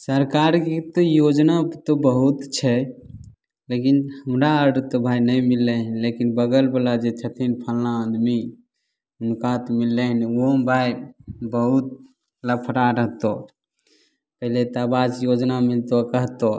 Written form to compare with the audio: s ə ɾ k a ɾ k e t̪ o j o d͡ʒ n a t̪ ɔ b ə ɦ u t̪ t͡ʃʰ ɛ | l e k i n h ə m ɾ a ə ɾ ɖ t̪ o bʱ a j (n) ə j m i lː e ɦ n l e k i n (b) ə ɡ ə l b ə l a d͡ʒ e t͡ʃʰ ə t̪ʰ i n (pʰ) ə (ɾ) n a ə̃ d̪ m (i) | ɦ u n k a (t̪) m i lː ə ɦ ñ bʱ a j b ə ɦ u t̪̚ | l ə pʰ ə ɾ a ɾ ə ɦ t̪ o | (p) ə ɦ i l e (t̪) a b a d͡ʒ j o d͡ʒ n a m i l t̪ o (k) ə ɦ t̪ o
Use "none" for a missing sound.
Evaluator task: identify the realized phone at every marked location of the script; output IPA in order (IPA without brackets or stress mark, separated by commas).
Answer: n, b, pʰ, l, i, t̪, p, t̪, k